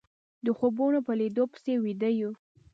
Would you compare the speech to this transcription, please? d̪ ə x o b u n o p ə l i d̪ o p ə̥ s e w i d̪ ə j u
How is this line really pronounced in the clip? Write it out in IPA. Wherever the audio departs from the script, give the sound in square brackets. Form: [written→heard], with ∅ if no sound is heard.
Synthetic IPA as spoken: d̪ ə x o b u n o p ə l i d̪ o p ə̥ s e w i d̪ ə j u